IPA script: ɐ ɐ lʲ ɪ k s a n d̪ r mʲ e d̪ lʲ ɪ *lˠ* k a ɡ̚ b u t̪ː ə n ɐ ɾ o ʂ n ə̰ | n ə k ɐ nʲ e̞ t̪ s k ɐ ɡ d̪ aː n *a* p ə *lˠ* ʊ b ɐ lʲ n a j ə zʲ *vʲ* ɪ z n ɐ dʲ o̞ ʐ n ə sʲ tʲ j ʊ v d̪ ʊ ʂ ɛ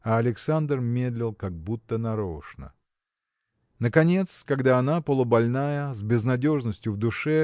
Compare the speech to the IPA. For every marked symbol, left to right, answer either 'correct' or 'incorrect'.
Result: correct, correct, correct, incorrect

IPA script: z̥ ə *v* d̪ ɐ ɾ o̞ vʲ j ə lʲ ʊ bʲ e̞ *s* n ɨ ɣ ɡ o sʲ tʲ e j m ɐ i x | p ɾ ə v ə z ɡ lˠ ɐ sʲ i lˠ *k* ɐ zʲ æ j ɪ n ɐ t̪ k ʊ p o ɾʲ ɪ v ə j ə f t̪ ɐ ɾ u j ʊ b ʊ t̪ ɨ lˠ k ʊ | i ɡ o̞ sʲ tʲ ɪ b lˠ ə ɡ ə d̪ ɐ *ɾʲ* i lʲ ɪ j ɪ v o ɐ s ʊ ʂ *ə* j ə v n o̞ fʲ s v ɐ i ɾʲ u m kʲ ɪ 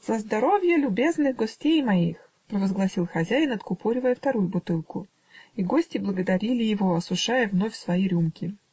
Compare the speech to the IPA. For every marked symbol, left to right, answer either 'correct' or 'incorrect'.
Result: incorrect, incorrect, incorrect, correct, incorrect

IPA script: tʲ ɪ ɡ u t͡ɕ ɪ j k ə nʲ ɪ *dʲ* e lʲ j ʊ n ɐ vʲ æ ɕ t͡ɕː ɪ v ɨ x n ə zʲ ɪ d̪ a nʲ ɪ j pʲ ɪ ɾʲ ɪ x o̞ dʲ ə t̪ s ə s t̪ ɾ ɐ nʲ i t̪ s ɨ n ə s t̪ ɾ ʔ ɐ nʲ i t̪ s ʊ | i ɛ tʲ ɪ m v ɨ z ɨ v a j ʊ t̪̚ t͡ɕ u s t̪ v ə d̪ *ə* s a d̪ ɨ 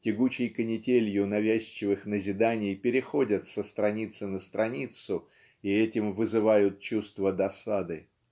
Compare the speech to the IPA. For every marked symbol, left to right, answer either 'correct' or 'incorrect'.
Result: incorrect, incorrect

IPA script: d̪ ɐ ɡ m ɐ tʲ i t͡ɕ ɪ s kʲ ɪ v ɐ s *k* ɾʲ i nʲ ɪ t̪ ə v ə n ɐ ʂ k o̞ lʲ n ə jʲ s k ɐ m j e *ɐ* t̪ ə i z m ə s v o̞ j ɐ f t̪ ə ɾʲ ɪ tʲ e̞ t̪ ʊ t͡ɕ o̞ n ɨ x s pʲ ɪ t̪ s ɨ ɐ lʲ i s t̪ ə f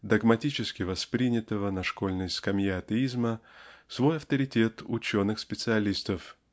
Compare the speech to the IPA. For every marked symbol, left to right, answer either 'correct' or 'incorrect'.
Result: incorrect, correct

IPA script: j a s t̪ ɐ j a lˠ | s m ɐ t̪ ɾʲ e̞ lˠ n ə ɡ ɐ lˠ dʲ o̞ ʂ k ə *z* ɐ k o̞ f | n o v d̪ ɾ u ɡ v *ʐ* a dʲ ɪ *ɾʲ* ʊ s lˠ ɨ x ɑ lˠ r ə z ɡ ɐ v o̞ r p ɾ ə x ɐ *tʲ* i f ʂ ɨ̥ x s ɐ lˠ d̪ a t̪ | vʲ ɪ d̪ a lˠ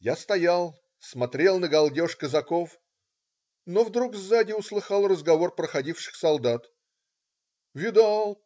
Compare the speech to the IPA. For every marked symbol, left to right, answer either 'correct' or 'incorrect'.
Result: correct, incorrect, incorrect, incorrect

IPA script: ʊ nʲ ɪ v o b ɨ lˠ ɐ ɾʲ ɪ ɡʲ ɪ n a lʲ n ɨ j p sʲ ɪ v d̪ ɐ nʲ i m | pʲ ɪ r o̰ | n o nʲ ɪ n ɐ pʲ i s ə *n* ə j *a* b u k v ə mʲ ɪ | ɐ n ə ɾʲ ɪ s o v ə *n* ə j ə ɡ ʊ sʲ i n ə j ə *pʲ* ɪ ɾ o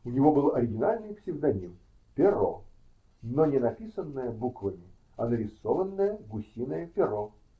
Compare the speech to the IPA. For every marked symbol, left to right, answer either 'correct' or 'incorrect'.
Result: incorrect, incorrect, incorrect, correct

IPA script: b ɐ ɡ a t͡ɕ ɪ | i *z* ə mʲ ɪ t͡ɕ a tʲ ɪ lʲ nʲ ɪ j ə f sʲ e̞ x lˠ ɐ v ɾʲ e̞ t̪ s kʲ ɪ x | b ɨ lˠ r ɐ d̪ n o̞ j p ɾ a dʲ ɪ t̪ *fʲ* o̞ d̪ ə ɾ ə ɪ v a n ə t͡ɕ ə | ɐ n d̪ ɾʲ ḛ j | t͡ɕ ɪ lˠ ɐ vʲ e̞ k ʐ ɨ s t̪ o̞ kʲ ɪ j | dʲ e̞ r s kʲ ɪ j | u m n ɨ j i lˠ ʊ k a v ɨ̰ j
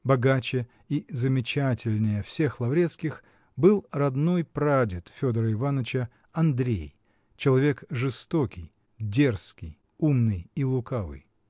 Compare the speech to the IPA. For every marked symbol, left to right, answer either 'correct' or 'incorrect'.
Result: correct, correct

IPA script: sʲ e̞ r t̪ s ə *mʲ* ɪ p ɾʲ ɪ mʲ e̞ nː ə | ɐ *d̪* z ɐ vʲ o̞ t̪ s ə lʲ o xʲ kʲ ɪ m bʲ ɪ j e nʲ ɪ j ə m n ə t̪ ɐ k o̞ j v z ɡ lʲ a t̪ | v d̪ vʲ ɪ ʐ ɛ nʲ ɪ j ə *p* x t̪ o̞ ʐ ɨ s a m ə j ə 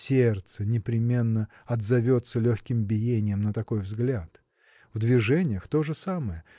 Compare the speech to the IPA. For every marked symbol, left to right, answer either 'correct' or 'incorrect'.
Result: incorrect, correct, incorrect

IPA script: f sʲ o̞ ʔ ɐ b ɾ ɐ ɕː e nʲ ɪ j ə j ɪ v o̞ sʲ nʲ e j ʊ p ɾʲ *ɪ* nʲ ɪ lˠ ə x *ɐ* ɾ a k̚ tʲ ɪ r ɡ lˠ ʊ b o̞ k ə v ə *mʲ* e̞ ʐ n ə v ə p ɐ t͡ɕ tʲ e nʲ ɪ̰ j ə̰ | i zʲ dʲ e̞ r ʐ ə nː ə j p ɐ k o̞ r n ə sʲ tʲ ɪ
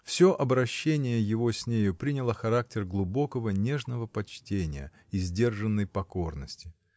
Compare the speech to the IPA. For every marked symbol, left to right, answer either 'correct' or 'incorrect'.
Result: incorrect, correct, incorrect

